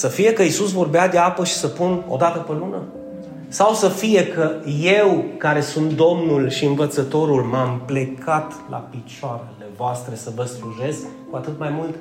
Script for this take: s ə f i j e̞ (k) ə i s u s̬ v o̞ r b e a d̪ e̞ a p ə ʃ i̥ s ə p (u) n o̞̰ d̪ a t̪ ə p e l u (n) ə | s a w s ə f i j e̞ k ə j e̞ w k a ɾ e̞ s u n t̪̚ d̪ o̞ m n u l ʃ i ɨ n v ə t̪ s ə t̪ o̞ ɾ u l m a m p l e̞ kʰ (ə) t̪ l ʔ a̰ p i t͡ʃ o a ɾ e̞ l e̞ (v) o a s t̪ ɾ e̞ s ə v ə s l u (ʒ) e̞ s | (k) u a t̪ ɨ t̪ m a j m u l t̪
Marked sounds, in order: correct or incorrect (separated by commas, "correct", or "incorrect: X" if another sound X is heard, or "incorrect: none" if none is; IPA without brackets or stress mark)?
correct, correct, correct, incorrect: a, correct, correct, correct